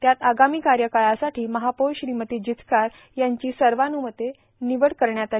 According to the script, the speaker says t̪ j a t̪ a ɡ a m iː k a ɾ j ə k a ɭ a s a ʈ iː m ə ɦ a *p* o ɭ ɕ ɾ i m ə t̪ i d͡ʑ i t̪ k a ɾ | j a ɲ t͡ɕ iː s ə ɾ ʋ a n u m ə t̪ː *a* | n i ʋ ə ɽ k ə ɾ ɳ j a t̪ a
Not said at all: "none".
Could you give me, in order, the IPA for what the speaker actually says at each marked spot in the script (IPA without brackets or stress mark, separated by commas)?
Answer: p, e